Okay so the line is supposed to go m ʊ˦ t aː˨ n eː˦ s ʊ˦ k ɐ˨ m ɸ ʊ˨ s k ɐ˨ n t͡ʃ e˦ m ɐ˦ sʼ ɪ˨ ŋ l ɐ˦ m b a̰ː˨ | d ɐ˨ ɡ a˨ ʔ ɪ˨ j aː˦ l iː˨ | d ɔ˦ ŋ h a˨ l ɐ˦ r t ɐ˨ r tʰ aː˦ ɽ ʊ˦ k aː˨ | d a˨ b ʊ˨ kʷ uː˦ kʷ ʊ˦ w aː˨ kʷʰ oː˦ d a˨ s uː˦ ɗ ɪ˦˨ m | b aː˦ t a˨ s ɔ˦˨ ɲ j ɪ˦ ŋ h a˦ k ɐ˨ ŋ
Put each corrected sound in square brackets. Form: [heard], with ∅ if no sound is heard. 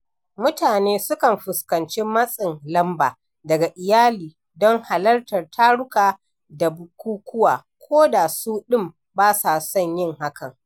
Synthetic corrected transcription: m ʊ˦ t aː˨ n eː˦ s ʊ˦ k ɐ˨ m ɸ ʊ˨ s k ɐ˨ n t͡ʃ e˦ m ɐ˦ sʼ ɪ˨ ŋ l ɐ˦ m b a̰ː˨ | d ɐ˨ ɡ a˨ ʔ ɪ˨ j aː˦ l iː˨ | d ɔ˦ ŋ h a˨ l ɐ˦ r t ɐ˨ r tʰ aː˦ ɽ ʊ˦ k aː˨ | d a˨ b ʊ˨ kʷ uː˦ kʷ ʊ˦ w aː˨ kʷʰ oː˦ d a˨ s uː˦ ɗ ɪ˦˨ m | b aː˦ [s] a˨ s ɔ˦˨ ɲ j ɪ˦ ŋ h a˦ k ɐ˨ ŋ